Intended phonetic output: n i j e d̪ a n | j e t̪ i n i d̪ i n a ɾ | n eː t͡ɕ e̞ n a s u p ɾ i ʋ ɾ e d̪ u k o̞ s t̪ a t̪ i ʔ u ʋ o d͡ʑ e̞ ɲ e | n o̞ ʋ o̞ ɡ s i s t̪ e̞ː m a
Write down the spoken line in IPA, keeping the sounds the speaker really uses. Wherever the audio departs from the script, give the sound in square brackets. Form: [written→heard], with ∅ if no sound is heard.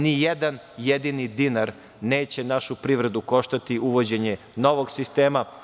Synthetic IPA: n i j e d̪ a n | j e [t̪→d̪] i n i d̪ i n a ɾ | n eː t͡ɕ e̞ n a [s→ʃ] u p ɾ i ʋ ɾ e d̪ u k o̞ [s→ʃ] t̪ a t̪ i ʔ u ʋ o d͡ʑ e̞ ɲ e | n o̞ ʋ o̞ ɡ s i s t̪ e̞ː m a